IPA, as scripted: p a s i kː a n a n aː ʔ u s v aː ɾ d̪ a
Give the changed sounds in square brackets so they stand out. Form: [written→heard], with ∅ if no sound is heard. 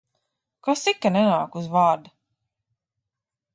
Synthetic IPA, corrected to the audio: [p→k] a s i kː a n [a→ɛ] n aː [ʔ→k] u [s→z] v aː ɾ d̪ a